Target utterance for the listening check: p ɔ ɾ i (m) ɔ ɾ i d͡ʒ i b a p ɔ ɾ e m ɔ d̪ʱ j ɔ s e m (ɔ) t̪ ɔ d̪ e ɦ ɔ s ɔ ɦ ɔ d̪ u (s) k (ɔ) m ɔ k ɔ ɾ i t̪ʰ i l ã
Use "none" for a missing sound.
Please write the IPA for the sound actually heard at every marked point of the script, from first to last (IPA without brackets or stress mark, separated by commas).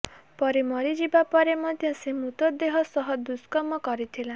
m, u, s, ɔ